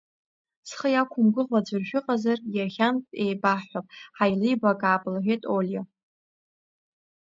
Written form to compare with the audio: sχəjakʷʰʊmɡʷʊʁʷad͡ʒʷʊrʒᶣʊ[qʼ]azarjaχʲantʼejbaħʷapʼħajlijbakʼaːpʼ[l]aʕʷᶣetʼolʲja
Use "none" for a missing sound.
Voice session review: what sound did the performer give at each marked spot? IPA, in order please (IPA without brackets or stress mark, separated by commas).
qʼ, l